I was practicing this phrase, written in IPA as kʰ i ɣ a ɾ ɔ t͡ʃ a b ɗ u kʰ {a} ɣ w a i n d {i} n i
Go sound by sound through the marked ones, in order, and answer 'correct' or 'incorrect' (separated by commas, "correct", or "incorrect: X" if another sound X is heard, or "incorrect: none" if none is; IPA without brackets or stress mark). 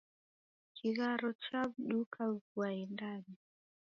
correct, incorrect: a